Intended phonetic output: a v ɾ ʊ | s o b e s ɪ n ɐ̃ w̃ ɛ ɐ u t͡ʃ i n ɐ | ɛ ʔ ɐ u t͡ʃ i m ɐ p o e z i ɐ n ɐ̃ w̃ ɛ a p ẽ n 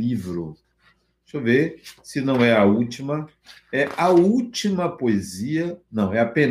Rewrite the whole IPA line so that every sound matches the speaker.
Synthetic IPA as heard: i v ɾ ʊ | s o v e s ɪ n ɐ̃ w̃ ɛ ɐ u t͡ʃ i m ɐ | ɛ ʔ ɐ u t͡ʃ i m ɐ p o e z i ɐ n ɐ̃ w̃ ɛ a p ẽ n